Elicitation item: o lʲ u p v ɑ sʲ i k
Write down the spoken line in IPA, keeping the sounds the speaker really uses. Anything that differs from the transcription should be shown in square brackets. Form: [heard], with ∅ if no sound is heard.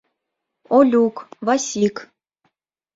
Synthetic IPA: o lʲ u [k] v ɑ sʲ i k